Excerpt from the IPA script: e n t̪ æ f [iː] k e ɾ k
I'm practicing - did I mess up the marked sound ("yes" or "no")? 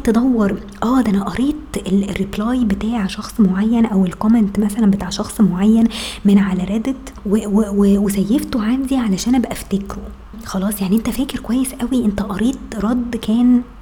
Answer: yes